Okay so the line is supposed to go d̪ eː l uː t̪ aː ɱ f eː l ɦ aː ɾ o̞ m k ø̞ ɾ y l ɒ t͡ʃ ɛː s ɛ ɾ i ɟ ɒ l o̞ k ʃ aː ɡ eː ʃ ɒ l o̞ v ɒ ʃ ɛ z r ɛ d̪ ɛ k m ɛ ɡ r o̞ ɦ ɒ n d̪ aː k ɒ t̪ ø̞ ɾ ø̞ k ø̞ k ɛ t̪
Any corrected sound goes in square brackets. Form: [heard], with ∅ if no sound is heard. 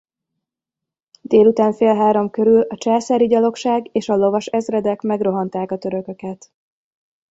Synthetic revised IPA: d̪ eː l [u] t̪ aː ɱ f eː l ɦ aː ɾ o̞ m k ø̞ ɾ y l ɒ t͡ʃ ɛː s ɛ ɾ i ɟ ɒ l o̞ k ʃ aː ɡ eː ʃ ɒ l o̞ v ɒ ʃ ɛ z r ɛ d̪ ɛ k m ɛ ɡ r o̞ ɦ ɒ n [t̪] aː k ɒ t̪ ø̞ ɾ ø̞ k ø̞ k ɛ t̪

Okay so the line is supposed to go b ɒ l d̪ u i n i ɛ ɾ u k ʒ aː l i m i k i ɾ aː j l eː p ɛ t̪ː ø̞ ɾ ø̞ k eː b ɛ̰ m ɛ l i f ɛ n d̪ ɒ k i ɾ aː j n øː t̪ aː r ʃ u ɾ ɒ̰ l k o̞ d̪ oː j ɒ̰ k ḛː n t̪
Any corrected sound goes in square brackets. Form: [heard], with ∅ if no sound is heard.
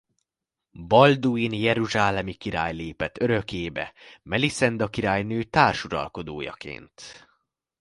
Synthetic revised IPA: b ɒ l d̪ u i n [j] ɛ ɾ u [∅] ʒ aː l [ɛ] m i k i ɾ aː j l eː p ɛ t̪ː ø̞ ɾ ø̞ k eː b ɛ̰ m ɛ l i [s] ɛ n d̪ ɒ k i ɾ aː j n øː t̪ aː r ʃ u ɾ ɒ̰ l k o̞ d̪ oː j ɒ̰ k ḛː n t̪

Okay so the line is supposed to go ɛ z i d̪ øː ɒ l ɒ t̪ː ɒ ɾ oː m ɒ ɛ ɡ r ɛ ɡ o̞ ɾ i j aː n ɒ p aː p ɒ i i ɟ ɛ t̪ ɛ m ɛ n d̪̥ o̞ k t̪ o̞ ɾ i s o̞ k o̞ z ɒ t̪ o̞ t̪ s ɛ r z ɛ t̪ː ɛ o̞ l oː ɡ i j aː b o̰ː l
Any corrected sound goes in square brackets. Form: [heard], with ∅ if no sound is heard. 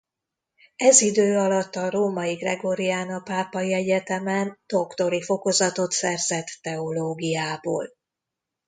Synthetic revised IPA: ɛ z i d̪ øː ɒ l ɒ t̪ː ɒ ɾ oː m ɒ [i] ɡ r ɛ ɡ o̞ ɾ i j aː n ɒ p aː p ɒ i [ɛ] ɟ ɛ t̪ ɛ m ɛ n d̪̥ o̞ k t̪ o̞ ɾ i [f] o̞ k o̞ z ɒ t̪ o̞ t̪ s ɛ r z ɛ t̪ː ɛ o̞ l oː ɡ i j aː b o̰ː l

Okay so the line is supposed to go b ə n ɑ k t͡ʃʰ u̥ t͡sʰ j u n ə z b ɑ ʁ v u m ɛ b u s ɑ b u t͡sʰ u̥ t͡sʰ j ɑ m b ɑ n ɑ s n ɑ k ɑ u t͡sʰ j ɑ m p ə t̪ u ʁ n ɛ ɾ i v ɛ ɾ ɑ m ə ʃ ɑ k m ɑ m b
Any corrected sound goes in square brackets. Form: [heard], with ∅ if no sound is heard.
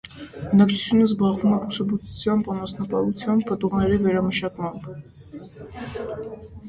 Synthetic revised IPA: b ə n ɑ k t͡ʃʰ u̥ t͡sʰ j u n ə z b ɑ ʁ v u m ɛ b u s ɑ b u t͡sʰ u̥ t͡sʰ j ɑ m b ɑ n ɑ s n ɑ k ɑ u t͡sʰ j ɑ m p ə t̪ u ʁ n ɛ ɾ i v ɛ ɾ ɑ m ə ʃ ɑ k m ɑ m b

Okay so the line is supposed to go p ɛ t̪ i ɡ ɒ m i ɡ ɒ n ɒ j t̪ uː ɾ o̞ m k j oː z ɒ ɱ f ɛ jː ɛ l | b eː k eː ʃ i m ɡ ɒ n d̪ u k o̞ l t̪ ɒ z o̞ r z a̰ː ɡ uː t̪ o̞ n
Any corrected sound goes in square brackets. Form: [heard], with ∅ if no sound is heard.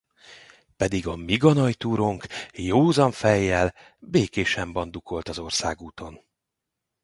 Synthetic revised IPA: p ɛ [d̪] i ɡ ɒ m i ɡ ɒ n ɒ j t̪ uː ɾ o̞ [ŋ] k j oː z ɒ ɱ f ɛ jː ɛ l | b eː k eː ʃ [ɛ] m [b] ɒ n d̪ u k o̞ l t̪ ɒ z o̞ r [s] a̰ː ɡ uː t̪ o̞ n

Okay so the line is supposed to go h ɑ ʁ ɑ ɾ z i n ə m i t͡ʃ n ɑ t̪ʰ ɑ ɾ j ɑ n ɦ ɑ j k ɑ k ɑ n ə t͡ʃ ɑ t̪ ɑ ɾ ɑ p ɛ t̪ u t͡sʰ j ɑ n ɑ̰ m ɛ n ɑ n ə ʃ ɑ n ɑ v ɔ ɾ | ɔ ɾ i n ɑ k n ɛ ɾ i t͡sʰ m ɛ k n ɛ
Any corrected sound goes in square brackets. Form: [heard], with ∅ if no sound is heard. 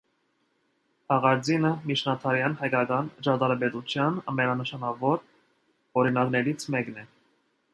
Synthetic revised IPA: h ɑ ʁ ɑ ɾ [d͡z] i n ə m i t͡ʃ n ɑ t̪ʰ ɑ ɾ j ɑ n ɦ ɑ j k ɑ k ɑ n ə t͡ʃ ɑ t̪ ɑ ɾ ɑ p ɛ t̪ u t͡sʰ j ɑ n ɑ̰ m ɛ n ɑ n ə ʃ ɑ n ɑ v ɔ ɾ | ɔ ɾ i n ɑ k n ɛ ɾ i t͡sʰ m ɛ k n ɛ

